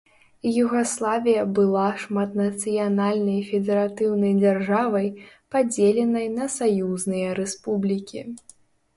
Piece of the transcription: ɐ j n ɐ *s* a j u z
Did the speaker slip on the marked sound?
no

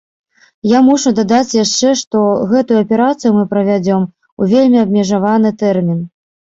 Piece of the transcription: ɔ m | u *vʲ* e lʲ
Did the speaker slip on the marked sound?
no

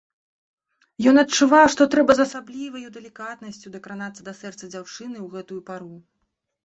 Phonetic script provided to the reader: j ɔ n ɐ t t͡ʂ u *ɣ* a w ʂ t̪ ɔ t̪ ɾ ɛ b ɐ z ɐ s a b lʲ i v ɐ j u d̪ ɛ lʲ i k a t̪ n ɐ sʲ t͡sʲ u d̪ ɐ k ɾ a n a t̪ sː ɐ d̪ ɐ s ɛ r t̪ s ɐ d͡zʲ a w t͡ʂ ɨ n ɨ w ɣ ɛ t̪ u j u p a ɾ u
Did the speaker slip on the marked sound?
yes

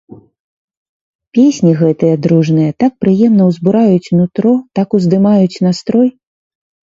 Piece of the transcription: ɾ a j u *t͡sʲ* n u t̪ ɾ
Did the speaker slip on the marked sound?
no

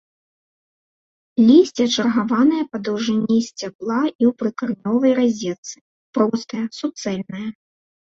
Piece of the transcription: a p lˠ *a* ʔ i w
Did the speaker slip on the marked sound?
no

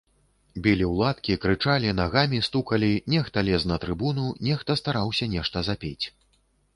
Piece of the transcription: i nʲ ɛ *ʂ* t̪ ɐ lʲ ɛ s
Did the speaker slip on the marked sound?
yes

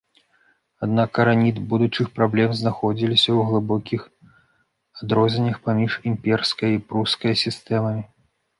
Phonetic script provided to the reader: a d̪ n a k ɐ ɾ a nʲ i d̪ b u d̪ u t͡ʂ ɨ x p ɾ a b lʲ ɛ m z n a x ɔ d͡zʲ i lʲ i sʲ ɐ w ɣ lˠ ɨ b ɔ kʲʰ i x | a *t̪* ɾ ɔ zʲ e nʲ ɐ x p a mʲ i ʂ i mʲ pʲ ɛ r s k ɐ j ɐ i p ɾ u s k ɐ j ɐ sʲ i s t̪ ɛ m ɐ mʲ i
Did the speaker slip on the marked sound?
yes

